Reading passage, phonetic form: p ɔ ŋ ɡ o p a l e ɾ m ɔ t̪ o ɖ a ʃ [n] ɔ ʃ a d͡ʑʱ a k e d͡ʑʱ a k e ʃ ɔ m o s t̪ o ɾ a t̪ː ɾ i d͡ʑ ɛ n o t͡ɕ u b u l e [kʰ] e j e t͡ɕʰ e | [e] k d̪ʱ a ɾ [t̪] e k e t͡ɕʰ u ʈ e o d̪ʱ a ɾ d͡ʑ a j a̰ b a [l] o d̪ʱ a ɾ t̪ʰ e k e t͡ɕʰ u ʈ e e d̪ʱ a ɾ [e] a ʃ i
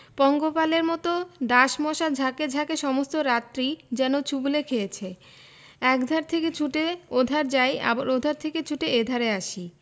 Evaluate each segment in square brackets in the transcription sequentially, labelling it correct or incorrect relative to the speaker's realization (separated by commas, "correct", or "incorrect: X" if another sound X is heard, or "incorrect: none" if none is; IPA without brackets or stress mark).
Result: incorrect: m, correct, incorrect: ɛ, incorrect: t̪ʰ, incorrect: ɾ, correct